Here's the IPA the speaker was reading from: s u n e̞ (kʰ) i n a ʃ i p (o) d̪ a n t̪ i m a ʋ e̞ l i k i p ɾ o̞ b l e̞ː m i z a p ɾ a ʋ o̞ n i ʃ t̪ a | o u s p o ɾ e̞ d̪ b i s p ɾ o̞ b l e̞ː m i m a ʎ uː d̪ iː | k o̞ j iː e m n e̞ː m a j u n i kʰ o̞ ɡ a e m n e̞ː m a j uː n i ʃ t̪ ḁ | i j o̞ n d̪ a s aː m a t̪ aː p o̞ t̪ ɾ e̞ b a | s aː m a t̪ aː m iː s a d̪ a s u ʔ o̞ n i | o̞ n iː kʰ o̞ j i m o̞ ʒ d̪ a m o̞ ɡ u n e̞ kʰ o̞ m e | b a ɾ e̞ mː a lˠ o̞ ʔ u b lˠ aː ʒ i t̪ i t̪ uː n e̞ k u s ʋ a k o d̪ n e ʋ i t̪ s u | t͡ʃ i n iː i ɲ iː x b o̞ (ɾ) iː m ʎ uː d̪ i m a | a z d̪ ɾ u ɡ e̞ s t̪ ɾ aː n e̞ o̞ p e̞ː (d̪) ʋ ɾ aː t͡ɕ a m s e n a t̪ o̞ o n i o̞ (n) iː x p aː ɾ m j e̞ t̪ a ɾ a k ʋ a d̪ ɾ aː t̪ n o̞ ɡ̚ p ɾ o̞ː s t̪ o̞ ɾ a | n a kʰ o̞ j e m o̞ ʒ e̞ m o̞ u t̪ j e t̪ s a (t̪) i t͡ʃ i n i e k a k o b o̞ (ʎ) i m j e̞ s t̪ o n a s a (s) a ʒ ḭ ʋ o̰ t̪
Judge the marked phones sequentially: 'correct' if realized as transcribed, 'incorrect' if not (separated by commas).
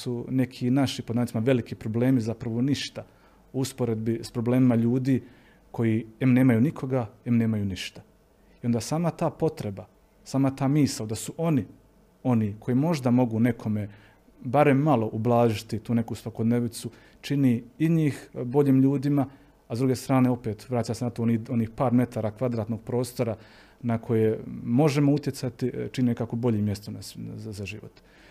correct, correct, incorrect, incorrect, correct, correct, correct, incorrect